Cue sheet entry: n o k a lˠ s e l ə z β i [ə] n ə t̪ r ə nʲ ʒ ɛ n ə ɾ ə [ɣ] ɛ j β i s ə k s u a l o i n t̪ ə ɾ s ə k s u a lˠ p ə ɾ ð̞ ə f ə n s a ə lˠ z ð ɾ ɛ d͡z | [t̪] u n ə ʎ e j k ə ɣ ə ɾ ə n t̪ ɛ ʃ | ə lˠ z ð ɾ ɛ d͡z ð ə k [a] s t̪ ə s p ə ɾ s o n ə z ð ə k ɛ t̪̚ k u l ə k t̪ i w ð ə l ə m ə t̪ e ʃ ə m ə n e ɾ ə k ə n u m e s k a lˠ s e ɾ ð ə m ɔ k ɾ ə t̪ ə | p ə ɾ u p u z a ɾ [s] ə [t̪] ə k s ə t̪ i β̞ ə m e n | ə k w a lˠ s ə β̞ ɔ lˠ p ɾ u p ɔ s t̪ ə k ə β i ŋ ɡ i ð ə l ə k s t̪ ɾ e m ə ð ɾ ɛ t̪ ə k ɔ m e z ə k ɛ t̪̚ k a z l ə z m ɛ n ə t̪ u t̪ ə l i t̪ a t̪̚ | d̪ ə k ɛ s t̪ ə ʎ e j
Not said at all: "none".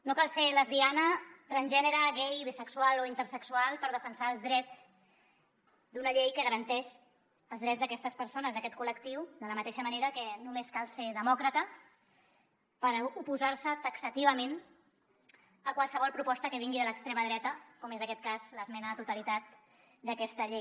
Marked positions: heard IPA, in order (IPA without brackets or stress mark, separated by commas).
a, ɣ, d̪, ɛ, s, t̪